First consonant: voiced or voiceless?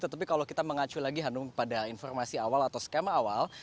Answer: voiceless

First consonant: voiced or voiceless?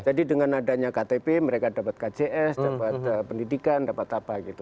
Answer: voiced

